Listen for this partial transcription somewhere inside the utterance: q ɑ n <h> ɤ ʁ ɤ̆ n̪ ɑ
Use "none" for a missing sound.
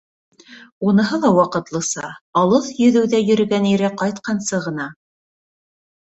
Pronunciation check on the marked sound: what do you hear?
s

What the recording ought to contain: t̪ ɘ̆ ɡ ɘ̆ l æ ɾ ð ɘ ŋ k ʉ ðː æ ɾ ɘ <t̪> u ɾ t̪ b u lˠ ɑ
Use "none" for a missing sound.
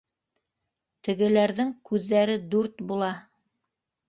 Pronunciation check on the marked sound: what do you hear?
d̪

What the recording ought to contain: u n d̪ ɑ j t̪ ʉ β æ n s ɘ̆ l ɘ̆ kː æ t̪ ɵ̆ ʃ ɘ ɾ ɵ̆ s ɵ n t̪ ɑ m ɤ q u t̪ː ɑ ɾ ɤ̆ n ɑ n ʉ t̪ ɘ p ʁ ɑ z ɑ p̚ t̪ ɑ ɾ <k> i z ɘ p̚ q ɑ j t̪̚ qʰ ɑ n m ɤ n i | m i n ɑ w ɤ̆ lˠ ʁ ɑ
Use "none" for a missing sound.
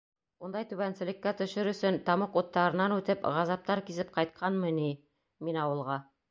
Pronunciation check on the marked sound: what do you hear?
k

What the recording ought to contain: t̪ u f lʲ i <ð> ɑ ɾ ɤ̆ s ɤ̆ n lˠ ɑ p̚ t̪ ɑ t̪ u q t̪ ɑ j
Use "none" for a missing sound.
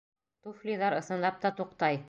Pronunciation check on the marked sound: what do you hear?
ð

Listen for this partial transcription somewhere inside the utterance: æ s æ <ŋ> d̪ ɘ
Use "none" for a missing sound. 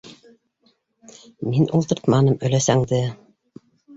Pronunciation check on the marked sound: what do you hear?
ŋ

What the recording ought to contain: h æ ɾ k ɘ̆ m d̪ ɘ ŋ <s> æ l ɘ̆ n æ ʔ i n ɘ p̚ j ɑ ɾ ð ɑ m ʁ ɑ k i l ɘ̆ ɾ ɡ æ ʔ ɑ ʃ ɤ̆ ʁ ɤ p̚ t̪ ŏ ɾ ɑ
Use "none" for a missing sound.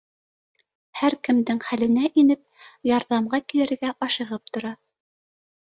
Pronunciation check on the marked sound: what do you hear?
χ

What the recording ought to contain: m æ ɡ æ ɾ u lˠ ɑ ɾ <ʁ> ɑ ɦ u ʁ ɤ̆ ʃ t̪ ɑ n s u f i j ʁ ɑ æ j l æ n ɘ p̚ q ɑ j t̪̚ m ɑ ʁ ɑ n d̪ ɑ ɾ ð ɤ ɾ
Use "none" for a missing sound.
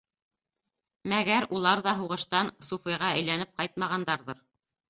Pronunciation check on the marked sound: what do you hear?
ð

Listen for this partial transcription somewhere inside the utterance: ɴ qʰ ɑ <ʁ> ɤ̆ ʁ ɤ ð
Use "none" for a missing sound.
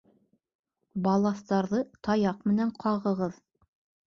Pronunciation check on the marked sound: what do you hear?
ʁ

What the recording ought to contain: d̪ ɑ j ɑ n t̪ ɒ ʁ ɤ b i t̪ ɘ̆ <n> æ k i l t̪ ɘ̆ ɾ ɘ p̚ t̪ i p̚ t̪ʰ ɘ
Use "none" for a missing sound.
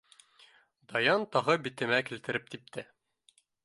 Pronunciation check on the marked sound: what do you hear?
m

